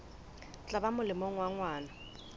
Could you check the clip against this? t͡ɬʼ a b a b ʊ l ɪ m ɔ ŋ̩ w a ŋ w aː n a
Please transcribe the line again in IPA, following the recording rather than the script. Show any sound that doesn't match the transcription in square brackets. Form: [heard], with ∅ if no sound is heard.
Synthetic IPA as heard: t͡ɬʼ a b a [m] ʊ l ɪ m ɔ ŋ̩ w a ŋ w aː n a